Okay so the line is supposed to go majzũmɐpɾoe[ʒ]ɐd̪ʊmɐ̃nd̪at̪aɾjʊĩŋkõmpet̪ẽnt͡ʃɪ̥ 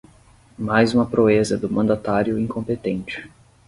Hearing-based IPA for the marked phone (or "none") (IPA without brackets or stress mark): z